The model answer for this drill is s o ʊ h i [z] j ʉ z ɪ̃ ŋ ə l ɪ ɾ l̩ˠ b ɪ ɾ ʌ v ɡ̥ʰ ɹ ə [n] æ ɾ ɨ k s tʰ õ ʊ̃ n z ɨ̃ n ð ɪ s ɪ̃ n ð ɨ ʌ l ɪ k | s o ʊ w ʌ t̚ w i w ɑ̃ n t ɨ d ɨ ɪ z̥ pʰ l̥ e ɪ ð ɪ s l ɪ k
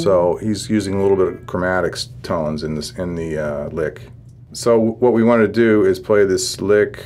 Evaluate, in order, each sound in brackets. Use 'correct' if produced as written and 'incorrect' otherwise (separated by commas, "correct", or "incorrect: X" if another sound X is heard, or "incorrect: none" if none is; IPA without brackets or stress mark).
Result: correct, incorrect: m